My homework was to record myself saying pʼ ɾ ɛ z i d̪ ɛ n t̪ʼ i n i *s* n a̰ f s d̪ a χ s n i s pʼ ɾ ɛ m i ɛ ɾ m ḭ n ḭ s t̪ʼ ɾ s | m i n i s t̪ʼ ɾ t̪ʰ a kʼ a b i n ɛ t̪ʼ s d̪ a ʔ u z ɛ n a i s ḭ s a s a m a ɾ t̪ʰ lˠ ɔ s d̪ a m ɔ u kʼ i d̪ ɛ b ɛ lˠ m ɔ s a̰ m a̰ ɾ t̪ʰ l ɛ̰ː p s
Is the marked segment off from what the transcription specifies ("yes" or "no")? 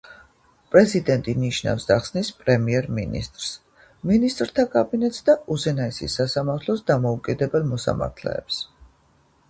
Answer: yes